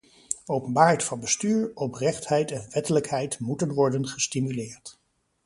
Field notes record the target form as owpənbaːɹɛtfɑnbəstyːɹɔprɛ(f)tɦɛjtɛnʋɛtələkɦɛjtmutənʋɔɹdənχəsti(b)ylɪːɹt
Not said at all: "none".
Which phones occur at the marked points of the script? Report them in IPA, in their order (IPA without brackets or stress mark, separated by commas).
χ, m